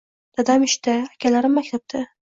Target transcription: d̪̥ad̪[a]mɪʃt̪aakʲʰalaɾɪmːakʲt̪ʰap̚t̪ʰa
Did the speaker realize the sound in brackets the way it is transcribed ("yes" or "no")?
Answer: yes